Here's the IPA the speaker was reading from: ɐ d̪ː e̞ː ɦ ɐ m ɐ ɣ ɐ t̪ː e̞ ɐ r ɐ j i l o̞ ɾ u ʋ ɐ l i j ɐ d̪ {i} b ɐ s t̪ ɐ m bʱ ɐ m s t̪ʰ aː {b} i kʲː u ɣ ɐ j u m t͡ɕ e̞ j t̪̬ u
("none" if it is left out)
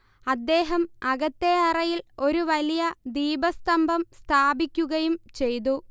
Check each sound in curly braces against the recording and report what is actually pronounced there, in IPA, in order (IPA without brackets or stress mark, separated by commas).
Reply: iː, b